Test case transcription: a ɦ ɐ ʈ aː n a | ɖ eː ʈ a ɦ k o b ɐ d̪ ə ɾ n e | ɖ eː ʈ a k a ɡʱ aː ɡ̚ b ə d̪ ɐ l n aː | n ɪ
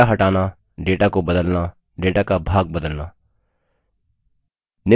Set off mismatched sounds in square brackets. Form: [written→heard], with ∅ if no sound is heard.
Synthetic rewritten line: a ɦ ɐ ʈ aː n a | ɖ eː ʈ a [ɦ→∅] k o b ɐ d̪ ə [ɾ→l] n [e→a] | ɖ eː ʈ a k a [ɡʱ→bʱ] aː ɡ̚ b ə d̪ [ɐ→ə] l n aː | n ɪ